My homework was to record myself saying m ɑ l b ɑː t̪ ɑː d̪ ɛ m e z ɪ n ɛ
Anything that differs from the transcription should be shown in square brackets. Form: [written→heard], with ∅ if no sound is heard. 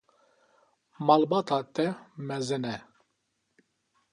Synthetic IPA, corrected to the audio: m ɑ l b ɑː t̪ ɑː [d̪→t̪] ɛ m [e→ɛ] z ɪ n ɛ